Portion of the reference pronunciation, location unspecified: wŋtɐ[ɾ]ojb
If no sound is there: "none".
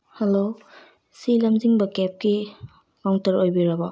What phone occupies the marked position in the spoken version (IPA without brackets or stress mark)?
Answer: ɾ